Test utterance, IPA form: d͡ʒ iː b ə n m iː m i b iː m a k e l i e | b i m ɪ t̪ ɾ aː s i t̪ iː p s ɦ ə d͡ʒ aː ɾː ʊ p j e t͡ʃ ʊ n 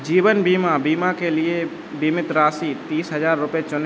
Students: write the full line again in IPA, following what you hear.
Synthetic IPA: d͡ʒ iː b ə n b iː m a b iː m a k e l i e | b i m ɪ t̪ ɾ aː s i t̪ iː s ɦ ə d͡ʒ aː ɾː ʊ p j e t͡ʃ ʊ n

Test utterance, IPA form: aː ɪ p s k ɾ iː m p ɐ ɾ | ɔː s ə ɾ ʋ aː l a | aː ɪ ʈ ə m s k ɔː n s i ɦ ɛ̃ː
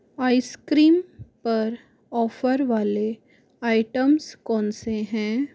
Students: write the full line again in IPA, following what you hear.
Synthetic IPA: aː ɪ s k ɾ iː m p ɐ ɾ | ɔː f ə ɾ ʋ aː l e | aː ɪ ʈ ə m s k ɔː n s e ɦ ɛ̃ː

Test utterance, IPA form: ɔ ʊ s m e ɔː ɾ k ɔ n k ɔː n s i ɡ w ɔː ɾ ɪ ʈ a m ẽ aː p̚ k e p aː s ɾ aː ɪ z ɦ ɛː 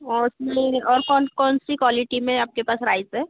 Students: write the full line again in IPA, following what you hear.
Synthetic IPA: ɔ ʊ s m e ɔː ɾ k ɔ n k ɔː n s i k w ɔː l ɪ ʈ i m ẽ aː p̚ k e p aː s ɾ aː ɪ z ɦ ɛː

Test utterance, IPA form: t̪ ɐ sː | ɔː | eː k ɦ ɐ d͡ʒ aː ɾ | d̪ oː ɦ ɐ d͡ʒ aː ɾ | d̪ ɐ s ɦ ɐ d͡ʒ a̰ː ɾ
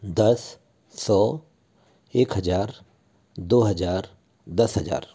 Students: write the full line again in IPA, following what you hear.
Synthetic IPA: d̪ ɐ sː | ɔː | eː k ɦ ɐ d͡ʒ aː ɾ | d̪ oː ɦ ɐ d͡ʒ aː ɾ | d̪ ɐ s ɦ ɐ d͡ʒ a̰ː ɾ

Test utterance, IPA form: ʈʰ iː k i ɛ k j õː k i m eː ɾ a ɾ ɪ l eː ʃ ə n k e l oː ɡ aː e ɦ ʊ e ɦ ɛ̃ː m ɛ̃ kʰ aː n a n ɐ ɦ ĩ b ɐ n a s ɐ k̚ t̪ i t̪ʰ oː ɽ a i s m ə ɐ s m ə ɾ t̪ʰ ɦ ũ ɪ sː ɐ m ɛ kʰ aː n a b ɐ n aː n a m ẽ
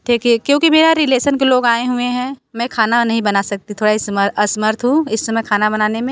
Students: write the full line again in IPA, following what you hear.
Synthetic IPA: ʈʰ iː k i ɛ k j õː k i m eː ɾ a ɾ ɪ l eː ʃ ə n k e l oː ɡ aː e ɦ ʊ e ɦ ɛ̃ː m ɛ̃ kʰ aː n a n ɐ ɦ ĩ b ɐ n a s ɐ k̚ t̪ i t̪ʰ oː ɽ a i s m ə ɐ s m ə ɾ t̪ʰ ɦ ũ ɪ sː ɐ m ɛ kʰ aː n a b ɐ n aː n e m ẽ

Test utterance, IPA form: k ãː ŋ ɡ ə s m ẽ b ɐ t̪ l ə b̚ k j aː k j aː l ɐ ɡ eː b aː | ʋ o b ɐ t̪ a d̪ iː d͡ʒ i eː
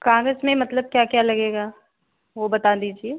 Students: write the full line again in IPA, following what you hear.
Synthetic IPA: k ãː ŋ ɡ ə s m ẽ m ɐ t̪ l ə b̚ k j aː k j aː l ɐ ɡ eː ɡ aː | ʋ o b ɐ t̪ a d̪ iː d͡ʒ i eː

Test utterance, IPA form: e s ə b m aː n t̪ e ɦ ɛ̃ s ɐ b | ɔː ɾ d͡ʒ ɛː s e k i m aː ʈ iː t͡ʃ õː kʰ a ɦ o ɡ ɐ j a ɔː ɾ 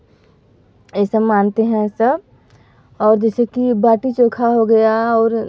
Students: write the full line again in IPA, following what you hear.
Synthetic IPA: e s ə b m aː n t̪ e ɦ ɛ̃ s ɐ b | ɔː ɾ d͡ʒ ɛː s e k i b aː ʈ i t͡ʃ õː kʰ a ɦ o ɡ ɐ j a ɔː ɾ

